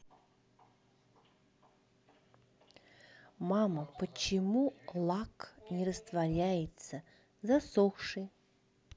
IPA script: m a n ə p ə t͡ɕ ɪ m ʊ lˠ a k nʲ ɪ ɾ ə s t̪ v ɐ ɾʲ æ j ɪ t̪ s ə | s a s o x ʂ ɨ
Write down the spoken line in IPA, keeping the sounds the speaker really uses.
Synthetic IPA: m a m ə p ə t͡ɕ ɪ m u lˠ a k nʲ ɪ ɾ ə s t̪ v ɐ ɾʲ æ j ɪ t̪ s ə | z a s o x ʂ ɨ